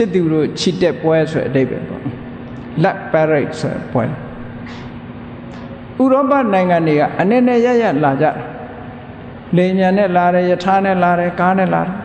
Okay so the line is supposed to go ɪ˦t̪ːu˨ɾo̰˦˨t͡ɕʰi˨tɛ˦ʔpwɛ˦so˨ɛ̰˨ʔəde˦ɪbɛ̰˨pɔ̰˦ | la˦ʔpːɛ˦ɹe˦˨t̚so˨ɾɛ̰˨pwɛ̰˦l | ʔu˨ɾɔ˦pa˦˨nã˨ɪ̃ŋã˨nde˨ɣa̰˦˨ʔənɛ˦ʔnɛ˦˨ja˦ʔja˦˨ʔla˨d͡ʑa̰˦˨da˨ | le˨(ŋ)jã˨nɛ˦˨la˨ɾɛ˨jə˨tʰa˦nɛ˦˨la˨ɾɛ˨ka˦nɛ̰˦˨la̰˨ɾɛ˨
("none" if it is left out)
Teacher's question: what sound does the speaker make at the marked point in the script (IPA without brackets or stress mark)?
m